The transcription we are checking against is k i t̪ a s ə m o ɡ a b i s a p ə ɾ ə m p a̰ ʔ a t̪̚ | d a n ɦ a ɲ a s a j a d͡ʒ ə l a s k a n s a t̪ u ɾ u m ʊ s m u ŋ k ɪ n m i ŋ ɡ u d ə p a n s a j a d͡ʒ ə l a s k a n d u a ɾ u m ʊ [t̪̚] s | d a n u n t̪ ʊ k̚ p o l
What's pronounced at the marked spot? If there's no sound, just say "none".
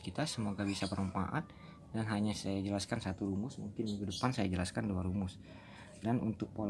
none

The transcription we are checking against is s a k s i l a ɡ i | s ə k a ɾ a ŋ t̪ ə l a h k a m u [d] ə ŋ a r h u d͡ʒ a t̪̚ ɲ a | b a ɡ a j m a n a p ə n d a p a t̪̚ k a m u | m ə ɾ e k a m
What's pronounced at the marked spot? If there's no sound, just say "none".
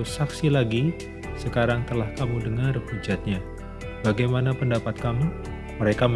d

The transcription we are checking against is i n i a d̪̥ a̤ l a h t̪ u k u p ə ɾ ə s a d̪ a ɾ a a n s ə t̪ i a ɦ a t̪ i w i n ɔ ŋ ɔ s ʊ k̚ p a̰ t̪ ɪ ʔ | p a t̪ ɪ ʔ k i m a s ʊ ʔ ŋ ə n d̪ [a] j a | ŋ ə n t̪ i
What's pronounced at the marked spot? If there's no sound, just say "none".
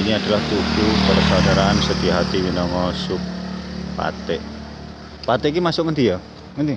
i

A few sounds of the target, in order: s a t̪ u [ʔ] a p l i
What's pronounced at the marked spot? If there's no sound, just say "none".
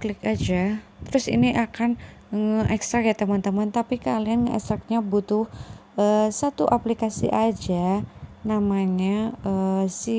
ʔ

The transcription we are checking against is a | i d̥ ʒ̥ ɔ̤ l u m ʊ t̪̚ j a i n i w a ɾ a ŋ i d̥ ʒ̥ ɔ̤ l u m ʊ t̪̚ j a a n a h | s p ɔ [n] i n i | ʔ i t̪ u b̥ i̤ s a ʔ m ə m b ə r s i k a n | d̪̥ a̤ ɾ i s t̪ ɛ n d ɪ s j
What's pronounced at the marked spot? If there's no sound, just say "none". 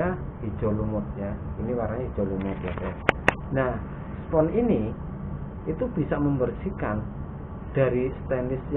n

